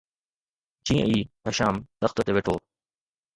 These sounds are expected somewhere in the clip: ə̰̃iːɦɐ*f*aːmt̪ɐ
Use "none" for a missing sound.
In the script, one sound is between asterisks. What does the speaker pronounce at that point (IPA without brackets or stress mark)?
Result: ʃ